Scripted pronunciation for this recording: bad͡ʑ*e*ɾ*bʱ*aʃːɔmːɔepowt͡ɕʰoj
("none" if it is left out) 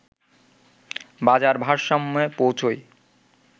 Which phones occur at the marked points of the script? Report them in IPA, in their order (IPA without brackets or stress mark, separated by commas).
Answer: a, bʱ